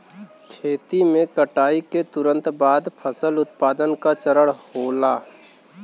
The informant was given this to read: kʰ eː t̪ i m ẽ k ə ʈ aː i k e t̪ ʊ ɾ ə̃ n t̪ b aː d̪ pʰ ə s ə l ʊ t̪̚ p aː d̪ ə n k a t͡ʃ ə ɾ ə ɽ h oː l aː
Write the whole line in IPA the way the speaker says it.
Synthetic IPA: kʰ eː t̪ i m ẽ k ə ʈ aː i k e t̪ ʊ ɾ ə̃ n t̪ b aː d̪ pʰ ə s ə l ʊ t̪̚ p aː d̪ ə n k a t͡ʃ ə ɾ ə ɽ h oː l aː